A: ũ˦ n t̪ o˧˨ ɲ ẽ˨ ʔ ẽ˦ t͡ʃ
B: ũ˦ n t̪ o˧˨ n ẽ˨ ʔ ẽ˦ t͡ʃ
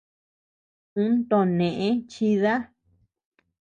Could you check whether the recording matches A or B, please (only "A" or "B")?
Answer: B